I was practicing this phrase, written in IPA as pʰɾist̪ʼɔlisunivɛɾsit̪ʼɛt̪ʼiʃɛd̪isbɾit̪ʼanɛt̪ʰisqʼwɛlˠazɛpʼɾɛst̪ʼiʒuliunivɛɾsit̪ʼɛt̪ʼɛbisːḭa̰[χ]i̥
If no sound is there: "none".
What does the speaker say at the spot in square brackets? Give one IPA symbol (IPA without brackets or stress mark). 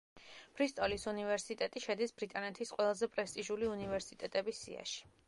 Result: ʃ